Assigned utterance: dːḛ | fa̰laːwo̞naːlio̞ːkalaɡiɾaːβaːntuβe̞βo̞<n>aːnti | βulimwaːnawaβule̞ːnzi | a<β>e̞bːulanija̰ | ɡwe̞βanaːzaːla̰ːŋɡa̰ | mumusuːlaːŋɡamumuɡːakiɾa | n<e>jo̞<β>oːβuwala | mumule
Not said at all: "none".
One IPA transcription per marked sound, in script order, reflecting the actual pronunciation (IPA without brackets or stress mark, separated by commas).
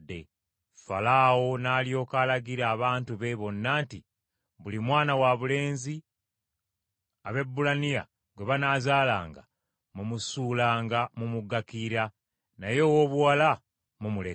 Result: nː, β, a, w